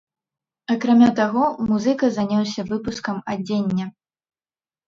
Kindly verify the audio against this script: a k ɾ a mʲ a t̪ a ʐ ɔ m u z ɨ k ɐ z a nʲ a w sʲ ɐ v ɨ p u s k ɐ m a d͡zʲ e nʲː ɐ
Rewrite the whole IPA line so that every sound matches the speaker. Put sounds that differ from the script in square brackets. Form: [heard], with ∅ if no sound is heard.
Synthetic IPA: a k ɾ a mʲ a t̪ a [ɣ] ɔ m u z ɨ k ɐ z a nʲ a w sʲ ɐ v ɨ p u s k ɐ m a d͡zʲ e nʲː ɐ